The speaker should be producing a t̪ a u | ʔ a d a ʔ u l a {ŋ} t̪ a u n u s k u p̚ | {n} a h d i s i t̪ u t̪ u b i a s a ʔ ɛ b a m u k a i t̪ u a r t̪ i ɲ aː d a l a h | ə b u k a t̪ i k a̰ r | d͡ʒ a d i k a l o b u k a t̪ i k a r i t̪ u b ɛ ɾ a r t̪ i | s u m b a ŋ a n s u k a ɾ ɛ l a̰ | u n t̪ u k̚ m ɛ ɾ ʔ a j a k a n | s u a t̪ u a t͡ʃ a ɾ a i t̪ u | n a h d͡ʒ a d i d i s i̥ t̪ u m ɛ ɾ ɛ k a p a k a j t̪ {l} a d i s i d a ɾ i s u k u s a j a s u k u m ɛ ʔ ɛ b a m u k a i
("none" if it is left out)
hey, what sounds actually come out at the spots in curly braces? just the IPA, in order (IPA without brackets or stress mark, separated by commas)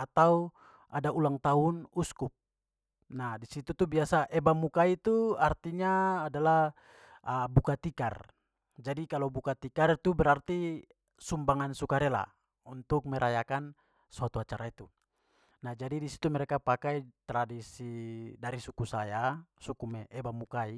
ŋ, n, ɾ